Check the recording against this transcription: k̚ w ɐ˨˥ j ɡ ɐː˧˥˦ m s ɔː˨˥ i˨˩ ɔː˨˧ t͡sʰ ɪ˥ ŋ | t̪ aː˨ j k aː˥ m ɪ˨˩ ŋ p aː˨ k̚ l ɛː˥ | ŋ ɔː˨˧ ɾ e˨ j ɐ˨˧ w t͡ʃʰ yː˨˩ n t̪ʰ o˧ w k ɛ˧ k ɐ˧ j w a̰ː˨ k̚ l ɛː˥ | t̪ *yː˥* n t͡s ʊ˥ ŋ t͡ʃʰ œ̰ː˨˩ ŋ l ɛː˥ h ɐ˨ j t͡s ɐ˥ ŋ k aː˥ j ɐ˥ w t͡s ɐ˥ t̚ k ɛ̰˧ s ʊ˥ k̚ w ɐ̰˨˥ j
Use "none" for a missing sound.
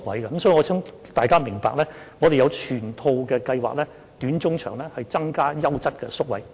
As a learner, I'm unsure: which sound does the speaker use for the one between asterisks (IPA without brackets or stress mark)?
yː˨˥